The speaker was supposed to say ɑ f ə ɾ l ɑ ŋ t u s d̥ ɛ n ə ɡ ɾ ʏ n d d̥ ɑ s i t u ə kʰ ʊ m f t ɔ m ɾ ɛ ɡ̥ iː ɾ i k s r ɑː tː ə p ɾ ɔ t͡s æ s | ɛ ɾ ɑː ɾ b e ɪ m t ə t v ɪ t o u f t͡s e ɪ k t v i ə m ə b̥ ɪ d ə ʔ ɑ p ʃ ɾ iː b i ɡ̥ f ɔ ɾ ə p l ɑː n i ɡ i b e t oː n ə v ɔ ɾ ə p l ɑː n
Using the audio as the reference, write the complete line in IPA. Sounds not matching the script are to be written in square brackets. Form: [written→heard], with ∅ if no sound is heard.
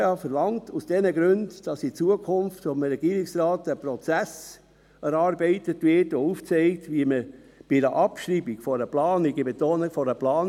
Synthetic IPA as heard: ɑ f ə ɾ l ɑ ŋ t u s d̥ ɛ n ə ɡ ɾ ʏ n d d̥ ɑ s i [t→t͡s] u ə kʰ ʊ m f t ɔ m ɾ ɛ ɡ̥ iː ɾ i k s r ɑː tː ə p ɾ ɔ t͡s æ s | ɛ ɾ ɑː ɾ b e ɪ [m→∅] t ə t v ɪ t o u f t͡s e ɪ k t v i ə m ə b̥ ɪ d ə ʔ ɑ p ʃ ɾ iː b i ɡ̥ f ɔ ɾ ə p l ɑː n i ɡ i b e t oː n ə [v→f] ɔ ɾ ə p l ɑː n